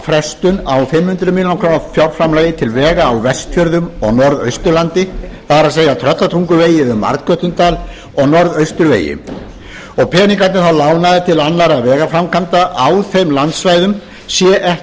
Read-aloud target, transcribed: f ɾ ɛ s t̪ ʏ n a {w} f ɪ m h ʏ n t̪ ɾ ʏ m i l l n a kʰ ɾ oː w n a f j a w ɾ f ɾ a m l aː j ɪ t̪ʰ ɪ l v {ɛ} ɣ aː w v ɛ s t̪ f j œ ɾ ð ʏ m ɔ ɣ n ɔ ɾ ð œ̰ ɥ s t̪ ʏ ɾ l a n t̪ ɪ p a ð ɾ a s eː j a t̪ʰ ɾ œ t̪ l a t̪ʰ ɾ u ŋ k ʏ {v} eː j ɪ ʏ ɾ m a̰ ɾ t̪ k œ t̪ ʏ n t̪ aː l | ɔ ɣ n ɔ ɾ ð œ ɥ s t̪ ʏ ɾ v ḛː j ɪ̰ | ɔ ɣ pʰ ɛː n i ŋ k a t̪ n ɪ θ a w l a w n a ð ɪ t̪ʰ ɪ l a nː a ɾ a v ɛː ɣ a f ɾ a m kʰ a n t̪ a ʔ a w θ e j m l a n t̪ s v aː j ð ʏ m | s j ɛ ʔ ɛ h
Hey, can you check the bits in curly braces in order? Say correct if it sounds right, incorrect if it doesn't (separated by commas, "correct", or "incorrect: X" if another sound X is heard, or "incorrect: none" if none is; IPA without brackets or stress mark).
correct, incorrect: ɛː, correct